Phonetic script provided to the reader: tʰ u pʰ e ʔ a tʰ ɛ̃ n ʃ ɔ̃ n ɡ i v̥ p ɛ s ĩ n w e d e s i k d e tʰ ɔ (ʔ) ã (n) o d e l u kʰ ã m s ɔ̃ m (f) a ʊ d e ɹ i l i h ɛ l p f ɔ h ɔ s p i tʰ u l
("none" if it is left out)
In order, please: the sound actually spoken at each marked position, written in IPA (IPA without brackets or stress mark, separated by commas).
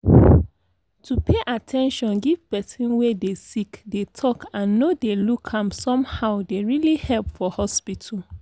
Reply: k, nː, h